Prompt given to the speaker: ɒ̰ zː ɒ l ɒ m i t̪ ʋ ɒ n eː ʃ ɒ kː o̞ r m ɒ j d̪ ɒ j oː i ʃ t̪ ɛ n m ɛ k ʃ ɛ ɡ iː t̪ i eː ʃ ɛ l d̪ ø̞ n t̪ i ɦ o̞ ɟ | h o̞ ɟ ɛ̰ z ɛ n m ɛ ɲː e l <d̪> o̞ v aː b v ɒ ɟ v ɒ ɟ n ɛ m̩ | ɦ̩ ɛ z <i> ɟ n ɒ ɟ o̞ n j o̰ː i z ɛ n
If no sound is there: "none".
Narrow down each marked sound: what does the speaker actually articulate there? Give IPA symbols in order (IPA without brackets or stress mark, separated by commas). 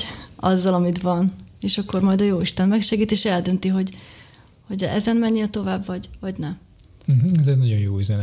t̪, ɛ